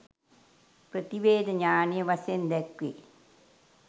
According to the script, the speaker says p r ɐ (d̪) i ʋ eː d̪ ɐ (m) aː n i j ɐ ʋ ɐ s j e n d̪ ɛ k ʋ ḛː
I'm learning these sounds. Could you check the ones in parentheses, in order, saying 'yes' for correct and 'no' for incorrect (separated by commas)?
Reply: no, no